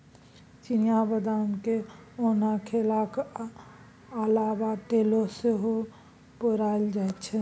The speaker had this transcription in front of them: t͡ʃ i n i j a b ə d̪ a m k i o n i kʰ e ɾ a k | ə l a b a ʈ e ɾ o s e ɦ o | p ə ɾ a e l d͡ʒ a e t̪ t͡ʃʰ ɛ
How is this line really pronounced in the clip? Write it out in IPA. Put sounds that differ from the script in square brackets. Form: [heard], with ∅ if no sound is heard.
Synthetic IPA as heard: t͡ʃ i n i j a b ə d̪ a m k [e] o n [a] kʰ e [l] a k | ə l a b a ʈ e [l] o s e ɦ o | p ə ɾ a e l d͡ʒ a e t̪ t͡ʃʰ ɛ